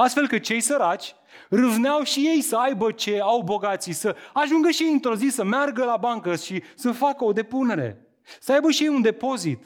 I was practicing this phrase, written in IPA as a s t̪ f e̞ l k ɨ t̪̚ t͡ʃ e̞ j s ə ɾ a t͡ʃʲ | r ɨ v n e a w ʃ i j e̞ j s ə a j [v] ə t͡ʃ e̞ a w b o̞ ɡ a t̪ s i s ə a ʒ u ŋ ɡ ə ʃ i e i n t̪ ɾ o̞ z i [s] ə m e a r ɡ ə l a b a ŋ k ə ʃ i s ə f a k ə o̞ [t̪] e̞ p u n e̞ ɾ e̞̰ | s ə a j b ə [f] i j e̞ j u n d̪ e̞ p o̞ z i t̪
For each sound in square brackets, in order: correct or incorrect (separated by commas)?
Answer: incorrect, correct, incorrect, incorrect